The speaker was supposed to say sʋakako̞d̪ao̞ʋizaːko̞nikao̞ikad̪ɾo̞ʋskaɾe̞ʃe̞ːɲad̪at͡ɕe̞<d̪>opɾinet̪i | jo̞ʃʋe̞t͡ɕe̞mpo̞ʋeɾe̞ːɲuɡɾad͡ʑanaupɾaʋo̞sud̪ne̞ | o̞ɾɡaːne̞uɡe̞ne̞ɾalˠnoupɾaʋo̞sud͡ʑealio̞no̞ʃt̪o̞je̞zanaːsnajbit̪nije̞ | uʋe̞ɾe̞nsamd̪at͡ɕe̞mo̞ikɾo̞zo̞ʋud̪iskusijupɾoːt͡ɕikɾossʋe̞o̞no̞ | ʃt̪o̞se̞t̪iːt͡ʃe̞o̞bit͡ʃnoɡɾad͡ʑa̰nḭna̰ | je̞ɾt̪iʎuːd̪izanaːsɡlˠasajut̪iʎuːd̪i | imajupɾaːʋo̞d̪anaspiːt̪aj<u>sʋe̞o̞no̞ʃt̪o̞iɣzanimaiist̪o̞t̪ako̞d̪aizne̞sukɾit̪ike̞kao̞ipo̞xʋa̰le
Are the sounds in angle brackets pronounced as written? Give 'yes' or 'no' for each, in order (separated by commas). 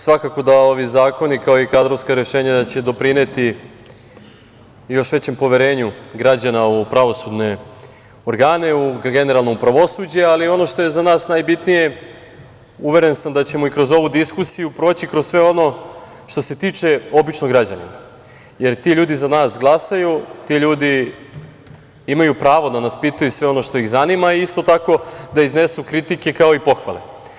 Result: yes, yes